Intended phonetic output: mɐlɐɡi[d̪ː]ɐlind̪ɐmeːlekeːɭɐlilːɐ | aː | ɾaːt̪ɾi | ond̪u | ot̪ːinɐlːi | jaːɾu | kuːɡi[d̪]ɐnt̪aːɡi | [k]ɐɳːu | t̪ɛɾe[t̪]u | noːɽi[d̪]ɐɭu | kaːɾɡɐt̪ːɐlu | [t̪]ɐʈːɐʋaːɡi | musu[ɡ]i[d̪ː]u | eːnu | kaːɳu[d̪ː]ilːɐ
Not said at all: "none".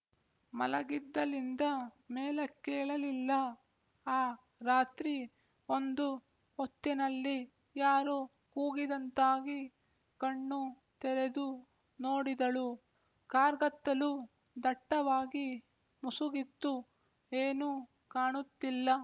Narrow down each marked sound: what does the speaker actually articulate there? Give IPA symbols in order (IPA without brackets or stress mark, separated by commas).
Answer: d̪ː, d̪, k, d̪, d̪, d̪, ɡ, t̪ː, t̪ː